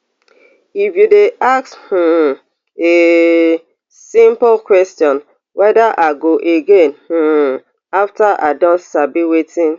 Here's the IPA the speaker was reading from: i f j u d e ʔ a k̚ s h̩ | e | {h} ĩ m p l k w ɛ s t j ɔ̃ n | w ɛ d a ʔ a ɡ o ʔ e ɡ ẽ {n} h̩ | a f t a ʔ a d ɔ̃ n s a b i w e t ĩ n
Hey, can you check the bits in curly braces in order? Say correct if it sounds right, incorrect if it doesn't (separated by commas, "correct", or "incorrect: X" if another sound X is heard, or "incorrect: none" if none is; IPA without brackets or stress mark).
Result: incorrect: s, correct